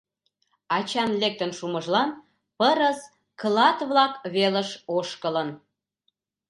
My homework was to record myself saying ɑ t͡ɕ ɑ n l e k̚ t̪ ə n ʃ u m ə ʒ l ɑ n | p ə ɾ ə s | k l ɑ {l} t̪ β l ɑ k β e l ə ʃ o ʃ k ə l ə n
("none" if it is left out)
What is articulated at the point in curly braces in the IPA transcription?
none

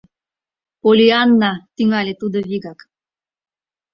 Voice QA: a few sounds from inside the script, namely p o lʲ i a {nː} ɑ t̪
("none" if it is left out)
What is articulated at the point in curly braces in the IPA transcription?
nː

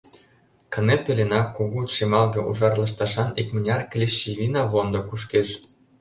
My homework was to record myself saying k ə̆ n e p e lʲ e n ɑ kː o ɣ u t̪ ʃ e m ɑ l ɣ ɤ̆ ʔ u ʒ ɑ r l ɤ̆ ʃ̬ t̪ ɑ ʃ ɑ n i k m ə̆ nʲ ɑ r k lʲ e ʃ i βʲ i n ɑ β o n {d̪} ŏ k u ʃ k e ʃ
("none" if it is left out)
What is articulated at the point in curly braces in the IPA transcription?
d̪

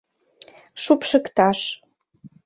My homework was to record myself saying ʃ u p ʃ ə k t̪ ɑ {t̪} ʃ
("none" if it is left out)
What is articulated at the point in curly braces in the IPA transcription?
none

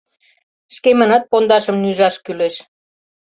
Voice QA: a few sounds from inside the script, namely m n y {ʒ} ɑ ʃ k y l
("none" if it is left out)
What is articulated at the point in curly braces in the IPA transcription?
ʒ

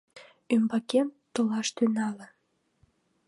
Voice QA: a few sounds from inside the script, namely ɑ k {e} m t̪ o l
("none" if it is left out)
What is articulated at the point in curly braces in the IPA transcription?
e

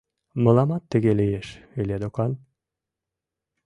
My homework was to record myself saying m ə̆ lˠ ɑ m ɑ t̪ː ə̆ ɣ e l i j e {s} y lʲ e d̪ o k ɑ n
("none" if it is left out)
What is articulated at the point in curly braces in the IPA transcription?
ʃ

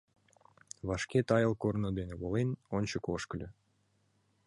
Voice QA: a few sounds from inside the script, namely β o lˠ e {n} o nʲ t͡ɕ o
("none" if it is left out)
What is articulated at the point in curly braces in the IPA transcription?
n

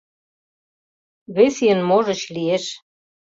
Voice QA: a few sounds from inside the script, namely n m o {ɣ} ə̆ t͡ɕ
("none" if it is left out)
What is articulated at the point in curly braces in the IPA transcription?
ʒ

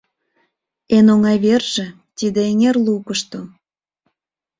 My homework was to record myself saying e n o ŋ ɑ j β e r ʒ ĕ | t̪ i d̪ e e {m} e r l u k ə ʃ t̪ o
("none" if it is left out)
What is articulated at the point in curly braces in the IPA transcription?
ŋ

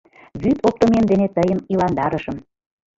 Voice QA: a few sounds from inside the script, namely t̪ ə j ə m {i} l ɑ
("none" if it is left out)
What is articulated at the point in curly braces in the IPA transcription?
i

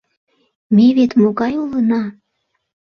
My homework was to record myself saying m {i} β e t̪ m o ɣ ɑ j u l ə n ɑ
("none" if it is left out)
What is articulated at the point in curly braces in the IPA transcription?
e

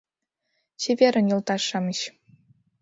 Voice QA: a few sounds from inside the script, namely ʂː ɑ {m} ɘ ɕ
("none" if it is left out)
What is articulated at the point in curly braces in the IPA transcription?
m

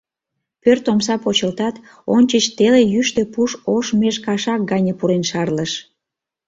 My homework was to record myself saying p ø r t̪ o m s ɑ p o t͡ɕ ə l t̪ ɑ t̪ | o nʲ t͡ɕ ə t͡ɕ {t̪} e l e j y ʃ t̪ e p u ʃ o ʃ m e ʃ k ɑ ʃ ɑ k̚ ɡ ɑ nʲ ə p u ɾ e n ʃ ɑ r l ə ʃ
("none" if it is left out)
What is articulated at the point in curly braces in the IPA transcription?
t̪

